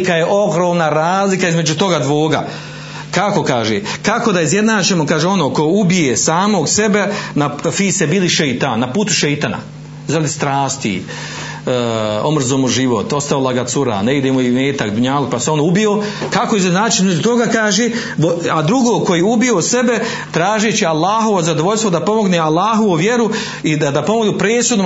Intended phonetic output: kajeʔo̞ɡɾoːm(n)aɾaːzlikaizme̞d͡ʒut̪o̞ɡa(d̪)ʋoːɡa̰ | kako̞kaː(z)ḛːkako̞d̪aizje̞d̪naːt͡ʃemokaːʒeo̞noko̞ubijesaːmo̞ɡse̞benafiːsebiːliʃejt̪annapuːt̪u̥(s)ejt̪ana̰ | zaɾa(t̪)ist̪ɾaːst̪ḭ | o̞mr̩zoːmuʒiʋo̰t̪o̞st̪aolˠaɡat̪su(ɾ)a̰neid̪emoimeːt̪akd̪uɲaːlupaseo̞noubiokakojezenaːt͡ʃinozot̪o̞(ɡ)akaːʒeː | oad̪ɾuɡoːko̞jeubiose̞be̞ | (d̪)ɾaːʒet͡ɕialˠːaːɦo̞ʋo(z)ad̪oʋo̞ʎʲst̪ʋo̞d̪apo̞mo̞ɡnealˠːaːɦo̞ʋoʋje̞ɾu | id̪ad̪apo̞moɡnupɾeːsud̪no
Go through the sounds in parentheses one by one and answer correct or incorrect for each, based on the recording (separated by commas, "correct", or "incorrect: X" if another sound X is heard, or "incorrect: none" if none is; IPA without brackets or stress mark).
correct, correct, incorrect: ʒ, incorrect: ʃ, incorrect: d̪, correct, correct, incorrect: t̪, correct